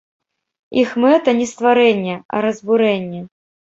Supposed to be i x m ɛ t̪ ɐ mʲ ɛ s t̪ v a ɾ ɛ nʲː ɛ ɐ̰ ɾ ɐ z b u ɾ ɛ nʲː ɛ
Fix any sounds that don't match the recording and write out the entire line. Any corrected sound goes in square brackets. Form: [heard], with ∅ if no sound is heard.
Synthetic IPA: i x m ɛ t̪ ɐ [nʲ] ɛ s t̪ v a ɾ ɛ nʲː ɛ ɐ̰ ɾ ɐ z b u ɾ ɛ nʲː ɛ